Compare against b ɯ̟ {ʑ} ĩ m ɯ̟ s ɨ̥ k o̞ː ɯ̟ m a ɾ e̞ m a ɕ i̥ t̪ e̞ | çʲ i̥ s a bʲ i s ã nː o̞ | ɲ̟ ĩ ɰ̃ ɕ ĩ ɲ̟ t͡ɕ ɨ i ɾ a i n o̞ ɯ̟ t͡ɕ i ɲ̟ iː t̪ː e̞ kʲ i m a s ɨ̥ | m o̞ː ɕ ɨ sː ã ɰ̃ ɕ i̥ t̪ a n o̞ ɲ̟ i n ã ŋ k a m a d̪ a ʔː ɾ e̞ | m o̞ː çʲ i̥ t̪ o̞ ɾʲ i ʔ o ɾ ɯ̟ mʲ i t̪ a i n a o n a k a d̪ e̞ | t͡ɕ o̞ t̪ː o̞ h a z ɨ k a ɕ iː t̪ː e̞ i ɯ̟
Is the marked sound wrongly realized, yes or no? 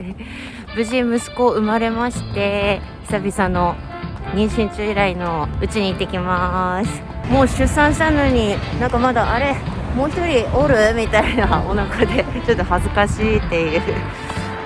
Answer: no